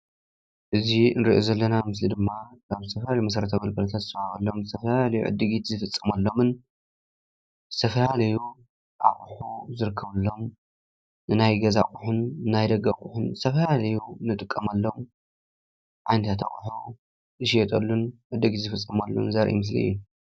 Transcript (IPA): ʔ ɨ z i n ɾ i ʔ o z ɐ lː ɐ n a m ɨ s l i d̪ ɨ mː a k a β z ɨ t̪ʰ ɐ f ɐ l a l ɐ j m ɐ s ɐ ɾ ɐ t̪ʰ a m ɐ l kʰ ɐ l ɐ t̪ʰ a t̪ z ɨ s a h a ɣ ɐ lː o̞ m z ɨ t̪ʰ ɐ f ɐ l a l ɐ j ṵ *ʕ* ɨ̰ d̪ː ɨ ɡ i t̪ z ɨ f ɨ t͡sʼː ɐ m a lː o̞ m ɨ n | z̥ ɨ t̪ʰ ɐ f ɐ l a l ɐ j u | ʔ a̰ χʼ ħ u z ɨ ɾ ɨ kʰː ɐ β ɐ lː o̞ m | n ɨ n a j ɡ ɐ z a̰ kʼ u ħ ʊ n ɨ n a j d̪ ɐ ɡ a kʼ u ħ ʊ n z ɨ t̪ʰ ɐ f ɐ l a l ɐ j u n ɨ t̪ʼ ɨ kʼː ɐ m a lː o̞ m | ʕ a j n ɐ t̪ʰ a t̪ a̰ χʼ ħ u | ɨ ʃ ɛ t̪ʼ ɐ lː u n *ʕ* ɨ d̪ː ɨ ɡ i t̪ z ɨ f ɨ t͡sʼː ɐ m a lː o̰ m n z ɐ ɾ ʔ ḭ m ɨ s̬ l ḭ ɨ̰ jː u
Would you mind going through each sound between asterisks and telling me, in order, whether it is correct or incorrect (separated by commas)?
correct, correct